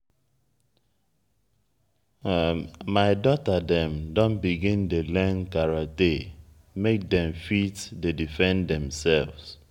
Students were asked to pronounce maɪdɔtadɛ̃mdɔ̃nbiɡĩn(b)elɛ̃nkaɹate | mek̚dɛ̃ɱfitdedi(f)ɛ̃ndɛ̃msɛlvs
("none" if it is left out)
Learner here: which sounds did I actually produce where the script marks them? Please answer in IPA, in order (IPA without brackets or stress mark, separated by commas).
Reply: d, f